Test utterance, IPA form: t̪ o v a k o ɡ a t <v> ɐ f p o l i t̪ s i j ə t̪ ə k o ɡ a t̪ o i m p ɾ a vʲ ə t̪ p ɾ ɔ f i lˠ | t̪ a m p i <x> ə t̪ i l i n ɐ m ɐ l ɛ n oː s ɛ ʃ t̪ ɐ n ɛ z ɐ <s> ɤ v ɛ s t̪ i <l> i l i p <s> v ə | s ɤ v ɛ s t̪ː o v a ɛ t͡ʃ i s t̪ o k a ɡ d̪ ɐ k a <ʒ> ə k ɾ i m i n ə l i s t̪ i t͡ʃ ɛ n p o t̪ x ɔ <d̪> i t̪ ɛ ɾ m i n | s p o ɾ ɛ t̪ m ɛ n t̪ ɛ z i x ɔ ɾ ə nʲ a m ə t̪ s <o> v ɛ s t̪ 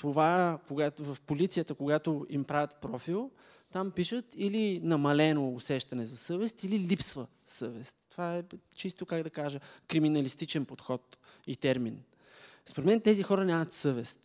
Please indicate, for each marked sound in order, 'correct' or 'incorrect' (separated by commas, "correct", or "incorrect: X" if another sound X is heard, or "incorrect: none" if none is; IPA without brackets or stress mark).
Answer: correct, incorrect: ʃ, correct, correct, correct, correct, incorrect: t̪, incorrect: ɤ